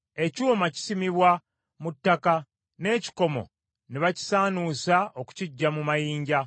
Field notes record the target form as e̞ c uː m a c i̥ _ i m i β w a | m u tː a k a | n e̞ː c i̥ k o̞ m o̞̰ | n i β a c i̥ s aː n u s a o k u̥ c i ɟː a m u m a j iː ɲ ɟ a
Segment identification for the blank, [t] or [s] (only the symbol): s